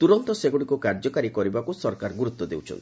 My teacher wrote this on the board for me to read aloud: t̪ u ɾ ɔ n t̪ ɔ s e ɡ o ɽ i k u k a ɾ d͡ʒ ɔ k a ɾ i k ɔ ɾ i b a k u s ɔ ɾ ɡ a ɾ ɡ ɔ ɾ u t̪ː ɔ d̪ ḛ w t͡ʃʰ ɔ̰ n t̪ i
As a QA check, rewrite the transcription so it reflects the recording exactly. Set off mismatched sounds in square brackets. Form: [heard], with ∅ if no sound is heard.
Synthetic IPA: t̪ u ɾ ɔ n t̪ ɔ s e ɡ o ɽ i k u k a ɾ d͡ʒ ɔ k a ɾ i k ɔ ɾ i b a k u s ɔ ɾ [k] a ɾ ɡ [u] ɾ u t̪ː ɔ d̪ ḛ w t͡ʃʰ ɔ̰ n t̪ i

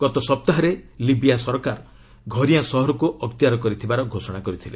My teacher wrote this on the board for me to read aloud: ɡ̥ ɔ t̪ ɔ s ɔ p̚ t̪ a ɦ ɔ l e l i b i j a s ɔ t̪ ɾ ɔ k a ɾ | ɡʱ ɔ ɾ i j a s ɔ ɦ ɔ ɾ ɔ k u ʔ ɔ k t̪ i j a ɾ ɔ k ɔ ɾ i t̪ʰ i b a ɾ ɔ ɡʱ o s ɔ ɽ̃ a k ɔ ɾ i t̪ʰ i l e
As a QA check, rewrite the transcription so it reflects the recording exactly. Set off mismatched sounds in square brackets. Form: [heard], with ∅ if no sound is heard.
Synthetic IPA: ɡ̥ ɔ t̪ ɔ s ɔ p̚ t̪ a ɦ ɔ [ɾ] e l i b i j a s ɔ [∅] ɾ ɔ k a ɾ | ɡʱ ɔ ɾ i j a s ɔ ɦ ɔ ɾ ɔ k u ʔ ɔ k t̪ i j a ɾ ɔ k ɔ ɾ i t̪ʰ i b a ɾ ɔ ɡʱ o s ɔ ɽ̃ a k ɔ ɾ i t̪ʰ i l e

